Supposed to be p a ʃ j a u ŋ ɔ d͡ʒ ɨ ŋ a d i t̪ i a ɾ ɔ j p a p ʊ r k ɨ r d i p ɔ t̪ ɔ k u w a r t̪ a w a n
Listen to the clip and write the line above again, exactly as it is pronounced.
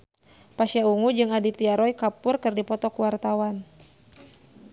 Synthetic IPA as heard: p a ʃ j a u ŋ u d͡ʒ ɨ ŋ a d i t̪ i a ɾ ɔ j k a p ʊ r k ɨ r d i p ɔ t̪ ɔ k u w a r t̪ a w a n